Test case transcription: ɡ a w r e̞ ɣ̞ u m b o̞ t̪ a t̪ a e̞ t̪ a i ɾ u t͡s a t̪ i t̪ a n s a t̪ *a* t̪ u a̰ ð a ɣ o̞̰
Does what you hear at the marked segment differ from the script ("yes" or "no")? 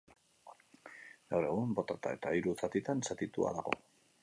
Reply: yes